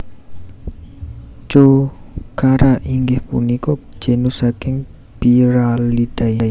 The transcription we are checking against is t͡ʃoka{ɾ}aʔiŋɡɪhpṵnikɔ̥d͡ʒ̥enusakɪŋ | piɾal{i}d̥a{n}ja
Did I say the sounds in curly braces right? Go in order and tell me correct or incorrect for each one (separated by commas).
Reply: correct, correct, incorrect